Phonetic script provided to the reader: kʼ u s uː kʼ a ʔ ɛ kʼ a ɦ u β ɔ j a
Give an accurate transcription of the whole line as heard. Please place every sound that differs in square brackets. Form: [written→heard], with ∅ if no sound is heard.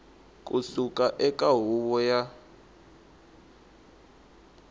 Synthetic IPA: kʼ u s [uː→u] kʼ a ʔ ɛ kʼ a ɦ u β ɔ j a